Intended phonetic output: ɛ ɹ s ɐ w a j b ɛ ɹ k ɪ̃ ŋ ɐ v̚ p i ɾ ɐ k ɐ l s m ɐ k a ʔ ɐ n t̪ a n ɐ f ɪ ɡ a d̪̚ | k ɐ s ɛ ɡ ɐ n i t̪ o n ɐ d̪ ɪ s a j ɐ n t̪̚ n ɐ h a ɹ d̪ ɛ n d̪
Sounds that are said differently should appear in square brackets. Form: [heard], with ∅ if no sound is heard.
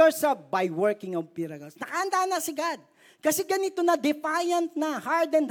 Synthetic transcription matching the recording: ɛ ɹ s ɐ [b] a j [w] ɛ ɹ k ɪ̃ ŋ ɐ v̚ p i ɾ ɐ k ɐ l s [n] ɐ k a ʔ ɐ n [d̪] a n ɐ [s] ɪ ɡ a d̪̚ | k ɐ s ɛ ɡ ɐ n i t̪ o n ɐ d̪ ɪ [f] a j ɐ n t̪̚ n ɐ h a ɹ d̪ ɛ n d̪